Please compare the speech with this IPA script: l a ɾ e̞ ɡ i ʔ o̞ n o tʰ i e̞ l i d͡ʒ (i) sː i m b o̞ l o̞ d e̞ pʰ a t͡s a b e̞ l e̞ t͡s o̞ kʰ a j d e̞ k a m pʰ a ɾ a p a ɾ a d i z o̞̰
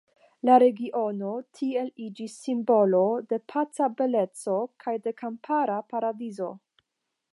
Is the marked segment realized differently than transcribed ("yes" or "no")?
no